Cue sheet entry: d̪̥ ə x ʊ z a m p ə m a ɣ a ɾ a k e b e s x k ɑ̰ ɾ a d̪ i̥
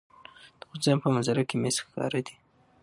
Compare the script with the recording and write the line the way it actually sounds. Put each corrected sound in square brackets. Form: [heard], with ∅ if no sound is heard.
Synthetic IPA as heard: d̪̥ ə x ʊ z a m p ə m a [z] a ɾ a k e [m] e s x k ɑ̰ ɾ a d̪ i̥